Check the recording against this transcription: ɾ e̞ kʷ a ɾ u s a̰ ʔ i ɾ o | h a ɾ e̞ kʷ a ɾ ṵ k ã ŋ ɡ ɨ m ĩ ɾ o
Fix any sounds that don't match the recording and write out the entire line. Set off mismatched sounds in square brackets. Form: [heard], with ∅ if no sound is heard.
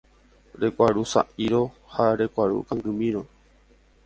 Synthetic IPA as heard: ɾ e̞ kʷ a ɾ u s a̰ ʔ i ɾ o | h a ɾ e̞ kʷ a ɾ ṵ k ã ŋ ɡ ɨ m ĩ ɾ o